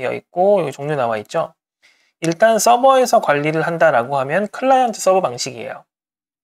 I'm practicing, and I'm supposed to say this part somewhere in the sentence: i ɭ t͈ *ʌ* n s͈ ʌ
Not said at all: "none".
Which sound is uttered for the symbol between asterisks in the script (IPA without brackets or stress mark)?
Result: a